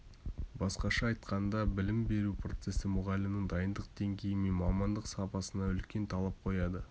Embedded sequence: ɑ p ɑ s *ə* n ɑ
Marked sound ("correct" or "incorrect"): correct